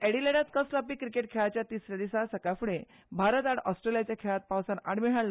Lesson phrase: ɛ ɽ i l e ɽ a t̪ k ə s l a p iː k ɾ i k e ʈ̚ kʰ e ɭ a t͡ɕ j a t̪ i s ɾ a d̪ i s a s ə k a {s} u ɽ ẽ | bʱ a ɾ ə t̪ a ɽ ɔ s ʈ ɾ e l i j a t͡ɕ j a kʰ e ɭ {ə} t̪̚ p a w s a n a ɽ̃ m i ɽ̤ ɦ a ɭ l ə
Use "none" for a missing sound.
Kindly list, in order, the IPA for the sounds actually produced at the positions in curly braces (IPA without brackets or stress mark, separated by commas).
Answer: f, a